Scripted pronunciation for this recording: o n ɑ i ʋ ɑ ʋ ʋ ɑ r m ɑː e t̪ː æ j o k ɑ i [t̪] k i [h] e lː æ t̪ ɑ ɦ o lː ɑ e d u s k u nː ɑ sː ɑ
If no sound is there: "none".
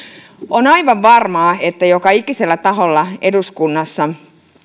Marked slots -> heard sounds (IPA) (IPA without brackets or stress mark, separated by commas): none, s